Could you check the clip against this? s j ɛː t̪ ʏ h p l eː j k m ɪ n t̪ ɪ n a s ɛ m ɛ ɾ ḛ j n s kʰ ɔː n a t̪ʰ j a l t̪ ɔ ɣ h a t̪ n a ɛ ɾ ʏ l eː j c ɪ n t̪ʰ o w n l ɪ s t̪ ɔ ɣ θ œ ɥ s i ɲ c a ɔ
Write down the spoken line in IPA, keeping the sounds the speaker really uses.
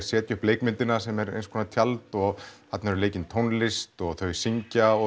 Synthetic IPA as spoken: s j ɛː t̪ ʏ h p l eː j k m ɪ n t̪ ɪ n a s ɛ m ɛ ɾ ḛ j n s kʰ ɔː n a t̪ʰ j a l t̪ ɔ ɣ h a t̪ n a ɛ ɾ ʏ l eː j c ɪ n t̪ʰ o w n l ɪ s t̪ ɔ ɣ θ œ ɥ s i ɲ c a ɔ